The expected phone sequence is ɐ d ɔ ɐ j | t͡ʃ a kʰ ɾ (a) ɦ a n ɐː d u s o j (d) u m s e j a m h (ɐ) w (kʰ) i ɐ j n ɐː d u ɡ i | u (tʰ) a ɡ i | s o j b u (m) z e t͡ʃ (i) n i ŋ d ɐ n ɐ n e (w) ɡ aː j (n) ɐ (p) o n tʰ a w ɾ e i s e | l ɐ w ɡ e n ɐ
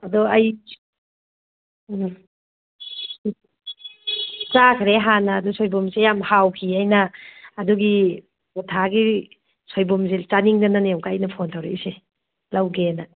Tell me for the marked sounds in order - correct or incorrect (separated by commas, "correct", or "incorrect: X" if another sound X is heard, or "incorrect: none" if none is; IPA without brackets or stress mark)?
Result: incorrect: e, incorrect: b, incorrect: a, correct, correct, correct, incorrect: a, correct, correct, incorrect: pʰ